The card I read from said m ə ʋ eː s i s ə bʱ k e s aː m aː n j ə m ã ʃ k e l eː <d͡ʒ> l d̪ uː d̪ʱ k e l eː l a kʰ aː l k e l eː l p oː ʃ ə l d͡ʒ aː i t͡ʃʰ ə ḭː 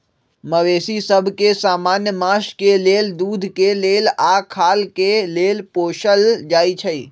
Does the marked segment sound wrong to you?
yes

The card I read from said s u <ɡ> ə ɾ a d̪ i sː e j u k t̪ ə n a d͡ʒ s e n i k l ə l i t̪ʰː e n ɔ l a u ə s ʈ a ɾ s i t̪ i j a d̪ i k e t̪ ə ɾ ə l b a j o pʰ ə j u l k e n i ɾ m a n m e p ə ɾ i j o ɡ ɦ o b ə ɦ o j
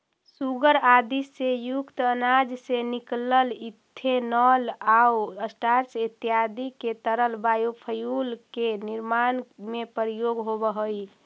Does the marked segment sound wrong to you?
no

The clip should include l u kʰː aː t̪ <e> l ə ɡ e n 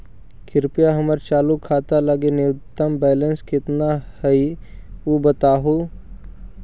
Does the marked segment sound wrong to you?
yes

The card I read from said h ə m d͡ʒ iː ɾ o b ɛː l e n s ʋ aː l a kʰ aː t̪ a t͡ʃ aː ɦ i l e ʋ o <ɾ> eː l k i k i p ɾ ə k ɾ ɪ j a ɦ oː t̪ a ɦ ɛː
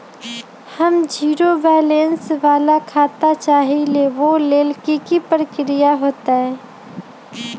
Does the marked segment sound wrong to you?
yes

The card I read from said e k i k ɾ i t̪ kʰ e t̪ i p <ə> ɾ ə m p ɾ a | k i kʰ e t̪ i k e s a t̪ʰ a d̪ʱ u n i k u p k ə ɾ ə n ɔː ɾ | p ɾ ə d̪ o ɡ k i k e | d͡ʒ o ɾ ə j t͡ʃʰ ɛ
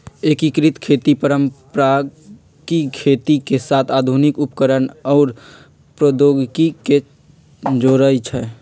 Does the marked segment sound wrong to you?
no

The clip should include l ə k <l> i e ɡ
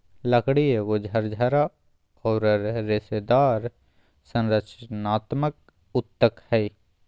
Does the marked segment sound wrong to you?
yes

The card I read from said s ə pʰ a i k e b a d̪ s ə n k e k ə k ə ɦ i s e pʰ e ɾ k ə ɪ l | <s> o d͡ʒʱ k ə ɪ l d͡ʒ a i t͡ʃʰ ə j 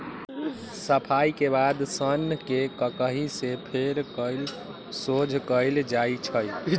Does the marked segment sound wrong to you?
no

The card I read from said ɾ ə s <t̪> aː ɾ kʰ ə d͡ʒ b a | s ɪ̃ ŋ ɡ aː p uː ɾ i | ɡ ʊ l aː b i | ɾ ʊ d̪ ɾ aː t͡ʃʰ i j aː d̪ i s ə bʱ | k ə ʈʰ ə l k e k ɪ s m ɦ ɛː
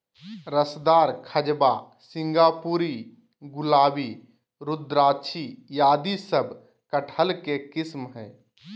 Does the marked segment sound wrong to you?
yes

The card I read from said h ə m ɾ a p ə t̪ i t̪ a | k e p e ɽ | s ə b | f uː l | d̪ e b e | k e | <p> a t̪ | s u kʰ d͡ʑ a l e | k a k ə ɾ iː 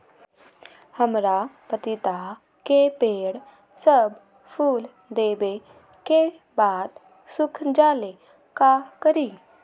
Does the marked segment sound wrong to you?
yes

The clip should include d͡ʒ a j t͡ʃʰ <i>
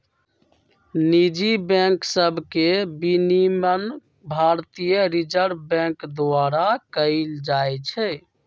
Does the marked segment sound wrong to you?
yes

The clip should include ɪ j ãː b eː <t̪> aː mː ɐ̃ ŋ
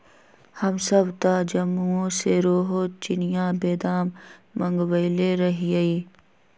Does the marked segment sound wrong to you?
yes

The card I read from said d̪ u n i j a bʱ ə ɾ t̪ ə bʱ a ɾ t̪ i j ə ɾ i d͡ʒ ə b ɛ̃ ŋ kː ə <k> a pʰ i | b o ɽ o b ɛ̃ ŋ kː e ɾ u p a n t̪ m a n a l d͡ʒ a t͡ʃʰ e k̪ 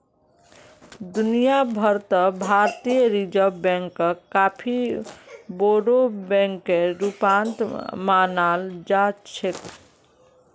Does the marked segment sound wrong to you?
no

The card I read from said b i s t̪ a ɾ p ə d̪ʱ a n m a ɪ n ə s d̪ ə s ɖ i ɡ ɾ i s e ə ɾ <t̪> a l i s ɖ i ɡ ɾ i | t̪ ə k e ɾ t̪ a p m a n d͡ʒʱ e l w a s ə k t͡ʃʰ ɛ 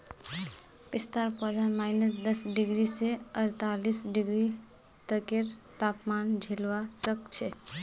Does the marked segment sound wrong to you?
no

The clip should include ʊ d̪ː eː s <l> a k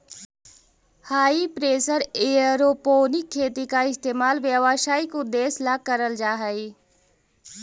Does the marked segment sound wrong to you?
no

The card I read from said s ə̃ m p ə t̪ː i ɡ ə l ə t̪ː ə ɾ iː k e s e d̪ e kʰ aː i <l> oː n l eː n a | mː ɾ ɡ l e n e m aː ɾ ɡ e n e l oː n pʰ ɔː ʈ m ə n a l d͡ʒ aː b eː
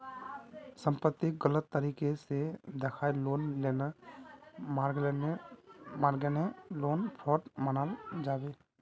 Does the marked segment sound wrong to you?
no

